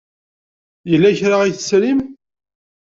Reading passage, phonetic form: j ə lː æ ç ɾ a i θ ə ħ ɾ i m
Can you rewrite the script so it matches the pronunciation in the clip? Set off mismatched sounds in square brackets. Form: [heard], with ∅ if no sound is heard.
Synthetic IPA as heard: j ə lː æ ç ɾ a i θ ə [s] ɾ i m